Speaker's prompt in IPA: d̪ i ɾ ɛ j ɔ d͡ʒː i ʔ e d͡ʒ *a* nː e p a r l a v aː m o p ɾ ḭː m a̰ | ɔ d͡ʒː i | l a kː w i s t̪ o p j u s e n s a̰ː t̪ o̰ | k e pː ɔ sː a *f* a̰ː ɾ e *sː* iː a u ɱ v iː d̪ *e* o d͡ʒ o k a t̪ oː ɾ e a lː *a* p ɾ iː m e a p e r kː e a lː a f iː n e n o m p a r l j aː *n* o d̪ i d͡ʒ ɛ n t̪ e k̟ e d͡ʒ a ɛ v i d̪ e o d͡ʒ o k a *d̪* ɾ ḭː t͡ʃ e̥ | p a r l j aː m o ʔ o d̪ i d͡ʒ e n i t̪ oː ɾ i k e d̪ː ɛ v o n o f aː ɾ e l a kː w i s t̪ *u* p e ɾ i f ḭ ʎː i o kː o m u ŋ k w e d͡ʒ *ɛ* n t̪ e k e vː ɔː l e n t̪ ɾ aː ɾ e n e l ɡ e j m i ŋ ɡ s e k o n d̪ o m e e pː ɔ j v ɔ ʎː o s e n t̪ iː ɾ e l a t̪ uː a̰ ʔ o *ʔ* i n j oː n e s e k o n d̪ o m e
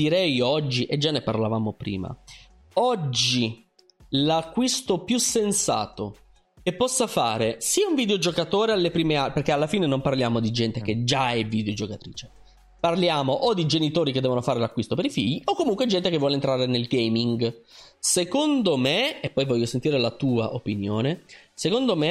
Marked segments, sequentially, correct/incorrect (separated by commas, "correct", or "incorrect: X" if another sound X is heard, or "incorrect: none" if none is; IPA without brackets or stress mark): correct, correct, incorrect: s, correct, incorrect: e, incorrect: m, incorrect: t̪, incorrect: o, correct, incorrect: p